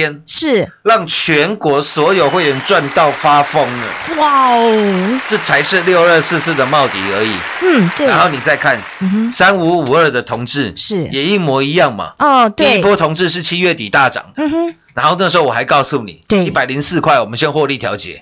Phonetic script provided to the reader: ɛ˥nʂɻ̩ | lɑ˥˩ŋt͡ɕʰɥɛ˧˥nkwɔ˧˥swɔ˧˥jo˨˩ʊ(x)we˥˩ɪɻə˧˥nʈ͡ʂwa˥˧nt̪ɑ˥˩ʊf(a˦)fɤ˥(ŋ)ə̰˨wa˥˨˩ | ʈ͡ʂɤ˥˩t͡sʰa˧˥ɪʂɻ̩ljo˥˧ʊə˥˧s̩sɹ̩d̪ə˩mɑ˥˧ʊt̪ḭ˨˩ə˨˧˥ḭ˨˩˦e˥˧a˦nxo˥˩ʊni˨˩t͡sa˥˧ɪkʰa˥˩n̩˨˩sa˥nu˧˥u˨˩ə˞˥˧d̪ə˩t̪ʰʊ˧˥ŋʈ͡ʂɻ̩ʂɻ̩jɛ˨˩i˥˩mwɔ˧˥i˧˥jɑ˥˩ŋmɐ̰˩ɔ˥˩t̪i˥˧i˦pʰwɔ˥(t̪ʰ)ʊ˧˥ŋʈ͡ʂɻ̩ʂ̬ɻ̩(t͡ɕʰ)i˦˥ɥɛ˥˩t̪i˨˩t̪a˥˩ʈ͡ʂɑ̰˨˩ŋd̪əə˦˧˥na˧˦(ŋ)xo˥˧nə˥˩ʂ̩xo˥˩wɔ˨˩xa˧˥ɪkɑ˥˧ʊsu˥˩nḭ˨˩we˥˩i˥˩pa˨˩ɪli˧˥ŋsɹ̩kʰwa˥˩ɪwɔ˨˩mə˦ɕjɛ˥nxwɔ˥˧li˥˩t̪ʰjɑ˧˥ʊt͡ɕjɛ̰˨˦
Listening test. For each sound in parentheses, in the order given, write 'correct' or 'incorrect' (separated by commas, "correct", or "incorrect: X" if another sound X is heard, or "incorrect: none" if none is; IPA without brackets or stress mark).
correct, correct, correct, correct, correct, incorrect: n